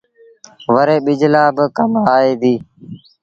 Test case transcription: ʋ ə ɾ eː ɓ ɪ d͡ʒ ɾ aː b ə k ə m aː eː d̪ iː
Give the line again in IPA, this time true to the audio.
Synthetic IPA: ʋ ə ɾ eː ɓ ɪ d͡ʒ l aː b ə k ə m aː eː d̪ iː

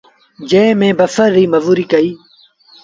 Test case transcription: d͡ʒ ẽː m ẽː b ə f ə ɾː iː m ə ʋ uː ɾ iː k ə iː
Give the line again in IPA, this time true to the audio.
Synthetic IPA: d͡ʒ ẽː m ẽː b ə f ə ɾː iː m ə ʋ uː ɾ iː k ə iː

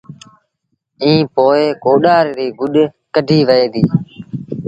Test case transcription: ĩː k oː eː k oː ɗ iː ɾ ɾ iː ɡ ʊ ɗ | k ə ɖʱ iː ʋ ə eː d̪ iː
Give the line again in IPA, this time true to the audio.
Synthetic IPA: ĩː p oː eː k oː ɗ aː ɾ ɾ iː ɡ ʊ ɗ | k ə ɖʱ iː ʋ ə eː d̪ iː

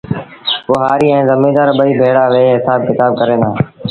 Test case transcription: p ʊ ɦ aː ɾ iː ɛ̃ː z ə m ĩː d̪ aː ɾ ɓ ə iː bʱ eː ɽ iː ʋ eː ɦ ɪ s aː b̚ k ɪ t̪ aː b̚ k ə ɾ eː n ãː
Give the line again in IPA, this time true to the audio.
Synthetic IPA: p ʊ ɦ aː ɾ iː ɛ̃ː z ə m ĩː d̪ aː ɾ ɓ ə iː bʱ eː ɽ aː ʋ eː ɦ ɪ s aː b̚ k ɪ t̪ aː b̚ k ə ɾ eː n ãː

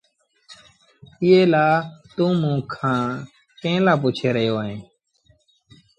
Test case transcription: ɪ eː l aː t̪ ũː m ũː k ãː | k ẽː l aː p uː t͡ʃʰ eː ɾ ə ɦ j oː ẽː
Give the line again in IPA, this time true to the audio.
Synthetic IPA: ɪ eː l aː t̪ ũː m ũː kʰ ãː | k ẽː l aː p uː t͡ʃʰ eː ɾ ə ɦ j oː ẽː

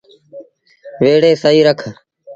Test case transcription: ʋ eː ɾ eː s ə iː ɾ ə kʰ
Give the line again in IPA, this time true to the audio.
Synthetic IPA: ʋ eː ɽ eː s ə iː ɾ ə kʰ

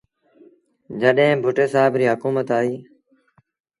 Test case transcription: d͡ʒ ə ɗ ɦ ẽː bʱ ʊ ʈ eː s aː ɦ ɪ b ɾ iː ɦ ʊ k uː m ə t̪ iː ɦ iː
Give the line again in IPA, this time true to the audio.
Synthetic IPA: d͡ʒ ə ɗ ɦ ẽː bʱ ʊ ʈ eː s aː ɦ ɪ b ɾ iː ɦ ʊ k uː m ə t̪ aː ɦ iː

